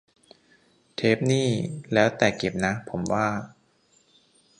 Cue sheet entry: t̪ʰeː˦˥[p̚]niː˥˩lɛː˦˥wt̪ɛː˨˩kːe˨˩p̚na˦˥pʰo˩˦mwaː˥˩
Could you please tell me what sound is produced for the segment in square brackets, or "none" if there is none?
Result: p̚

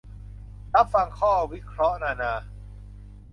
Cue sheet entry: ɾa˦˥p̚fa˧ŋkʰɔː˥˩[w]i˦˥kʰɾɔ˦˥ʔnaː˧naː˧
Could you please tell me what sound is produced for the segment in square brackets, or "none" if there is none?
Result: w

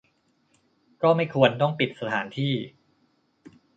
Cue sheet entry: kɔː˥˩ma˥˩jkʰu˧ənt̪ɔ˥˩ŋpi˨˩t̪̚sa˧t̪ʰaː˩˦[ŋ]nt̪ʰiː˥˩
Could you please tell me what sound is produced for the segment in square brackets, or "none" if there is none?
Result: none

